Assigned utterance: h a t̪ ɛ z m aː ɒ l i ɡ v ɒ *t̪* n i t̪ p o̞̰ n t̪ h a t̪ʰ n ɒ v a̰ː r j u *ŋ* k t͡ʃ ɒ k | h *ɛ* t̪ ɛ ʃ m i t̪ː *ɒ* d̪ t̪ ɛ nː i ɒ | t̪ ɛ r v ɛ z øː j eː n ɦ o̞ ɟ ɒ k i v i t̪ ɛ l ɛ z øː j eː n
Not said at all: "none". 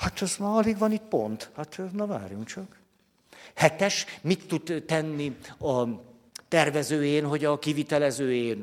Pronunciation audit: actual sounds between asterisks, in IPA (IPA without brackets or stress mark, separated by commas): none, ŋ, ɛ, u